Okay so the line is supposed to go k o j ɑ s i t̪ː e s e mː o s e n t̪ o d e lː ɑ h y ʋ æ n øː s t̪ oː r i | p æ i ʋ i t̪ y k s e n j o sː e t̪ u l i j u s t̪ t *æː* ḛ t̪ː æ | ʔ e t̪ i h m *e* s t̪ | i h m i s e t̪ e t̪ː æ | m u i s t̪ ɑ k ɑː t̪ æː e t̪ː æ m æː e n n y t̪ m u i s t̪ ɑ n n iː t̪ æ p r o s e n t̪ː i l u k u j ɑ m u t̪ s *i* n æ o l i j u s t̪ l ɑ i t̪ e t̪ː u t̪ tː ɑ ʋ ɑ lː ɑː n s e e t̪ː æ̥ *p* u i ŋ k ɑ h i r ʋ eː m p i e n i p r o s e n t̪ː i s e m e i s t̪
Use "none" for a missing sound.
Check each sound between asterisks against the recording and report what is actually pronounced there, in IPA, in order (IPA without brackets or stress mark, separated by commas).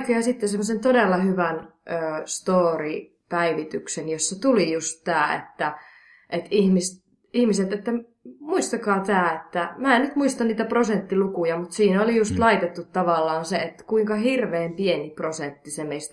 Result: æː, i, iː, k